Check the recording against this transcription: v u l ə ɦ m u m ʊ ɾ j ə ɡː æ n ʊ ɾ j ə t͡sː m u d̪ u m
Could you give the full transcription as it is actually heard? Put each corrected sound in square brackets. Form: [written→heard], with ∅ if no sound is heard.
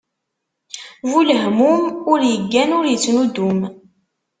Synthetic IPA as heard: v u l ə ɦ m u m ʊ ɾ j ə ɡː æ n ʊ ɾ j ə t͡sː [m→n] u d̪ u m